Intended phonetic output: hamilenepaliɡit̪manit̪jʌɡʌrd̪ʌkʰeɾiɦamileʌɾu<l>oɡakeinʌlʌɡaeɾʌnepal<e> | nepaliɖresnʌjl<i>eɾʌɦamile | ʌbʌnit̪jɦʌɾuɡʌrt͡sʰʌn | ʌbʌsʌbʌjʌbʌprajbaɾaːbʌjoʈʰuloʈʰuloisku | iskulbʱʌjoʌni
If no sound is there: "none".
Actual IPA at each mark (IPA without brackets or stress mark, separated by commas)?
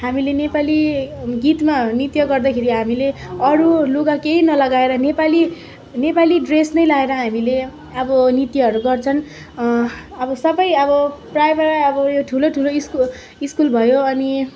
l, i, a